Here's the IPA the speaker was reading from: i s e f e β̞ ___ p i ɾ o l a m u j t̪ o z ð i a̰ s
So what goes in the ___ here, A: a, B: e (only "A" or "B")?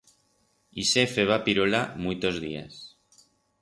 A